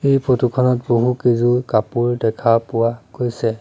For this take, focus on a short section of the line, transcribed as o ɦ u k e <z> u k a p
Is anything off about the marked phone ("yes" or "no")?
no